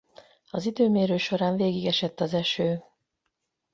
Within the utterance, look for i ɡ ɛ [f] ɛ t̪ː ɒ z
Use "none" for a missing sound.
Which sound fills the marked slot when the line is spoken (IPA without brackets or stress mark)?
ʃ